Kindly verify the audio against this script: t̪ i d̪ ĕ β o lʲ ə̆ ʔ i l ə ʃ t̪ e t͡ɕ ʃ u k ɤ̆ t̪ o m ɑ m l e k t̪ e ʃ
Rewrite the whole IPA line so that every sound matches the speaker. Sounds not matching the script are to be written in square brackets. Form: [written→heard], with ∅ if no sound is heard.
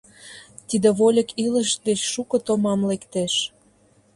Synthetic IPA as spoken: t̪ i d̪ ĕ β o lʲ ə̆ [ʔ→k] i l ə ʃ [t̪→d̪] e t͡ɕ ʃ u k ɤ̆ t̪ o m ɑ m l e k t̪ e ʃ